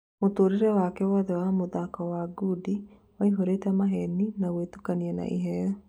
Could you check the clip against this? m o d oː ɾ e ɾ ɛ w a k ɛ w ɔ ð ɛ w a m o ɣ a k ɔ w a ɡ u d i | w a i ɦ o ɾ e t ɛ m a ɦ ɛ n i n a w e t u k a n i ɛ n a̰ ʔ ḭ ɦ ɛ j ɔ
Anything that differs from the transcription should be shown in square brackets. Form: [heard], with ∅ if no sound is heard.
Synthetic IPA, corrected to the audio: m o [t] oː ɾ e ɾ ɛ w a k ɛ w ɔ ð ɛ w a m o [ð] a k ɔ w a ɡ u d i | w a i ɦ o ɾ e t ɛ m a ɦ ɛ n i n a w e t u k a n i ɛ n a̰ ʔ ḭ ɦ ɛ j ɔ